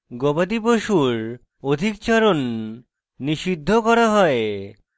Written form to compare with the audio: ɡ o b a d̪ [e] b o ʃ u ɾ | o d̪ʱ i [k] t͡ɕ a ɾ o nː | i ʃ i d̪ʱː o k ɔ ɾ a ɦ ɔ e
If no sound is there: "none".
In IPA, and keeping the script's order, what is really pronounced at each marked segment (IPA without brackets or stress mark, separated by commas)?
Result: i, k